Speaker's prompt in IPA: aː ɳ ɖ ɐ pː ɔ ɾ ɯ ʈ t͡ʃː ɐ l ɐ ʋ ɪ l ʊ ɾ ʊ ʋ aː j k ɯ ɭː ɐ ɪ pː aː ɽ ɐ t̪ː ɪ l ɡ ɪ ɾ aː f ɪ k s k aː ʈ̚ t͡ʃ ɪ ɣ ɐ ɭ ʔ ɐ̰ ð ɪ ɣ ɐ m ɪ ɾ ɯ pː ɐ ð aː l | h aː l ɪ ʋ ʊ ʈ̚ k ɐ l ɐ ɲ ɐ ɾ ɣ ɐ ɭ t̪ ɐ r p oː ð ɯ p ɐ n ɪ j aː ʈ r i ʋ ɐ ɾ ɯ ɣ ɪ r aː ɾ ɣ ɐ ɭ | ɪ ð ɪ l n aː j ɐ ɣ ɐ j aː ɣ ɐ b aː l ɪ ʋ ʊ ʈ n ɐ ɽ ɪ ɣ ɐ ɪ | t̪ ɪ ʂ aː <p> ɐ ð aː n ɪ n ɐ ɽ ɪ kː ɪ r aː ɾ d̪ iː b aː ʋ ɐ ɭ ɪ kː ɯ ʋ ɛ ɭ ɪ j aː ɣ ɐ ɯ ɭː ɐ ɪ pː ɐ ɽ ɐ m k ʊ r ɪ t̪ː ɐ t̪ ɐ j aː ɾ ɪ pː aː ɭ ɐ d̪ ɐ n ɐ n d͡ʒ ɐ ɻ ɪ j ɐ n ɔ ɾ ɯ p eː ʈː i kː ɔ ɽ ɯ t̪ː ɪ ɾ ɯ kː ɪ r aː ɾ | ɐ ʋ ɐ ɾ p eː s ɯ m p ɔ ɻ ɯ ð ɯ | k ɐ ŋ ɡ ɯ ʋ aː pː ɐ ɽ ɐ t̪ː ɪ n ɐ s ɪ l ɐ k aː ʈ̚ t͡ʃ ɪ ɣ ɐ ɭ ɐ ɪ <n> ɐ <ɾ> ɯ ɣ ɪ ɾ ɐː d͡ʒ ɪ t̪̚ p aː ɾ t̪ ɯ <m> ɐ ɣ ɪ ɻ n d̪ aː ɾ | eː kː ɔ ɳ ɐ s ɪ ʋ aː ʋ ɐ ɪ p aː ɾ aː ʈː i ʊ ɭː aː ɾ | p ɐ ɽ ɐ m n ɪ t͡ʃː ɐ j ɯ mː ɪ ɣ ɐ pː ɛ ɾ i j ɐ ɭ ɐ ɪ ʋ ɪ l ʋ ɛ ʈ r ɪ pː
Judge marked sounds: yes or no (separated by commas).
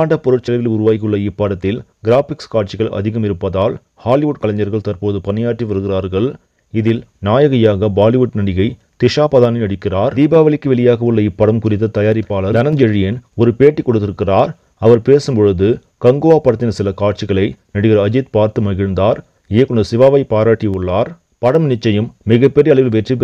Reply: yes, yes, no, yes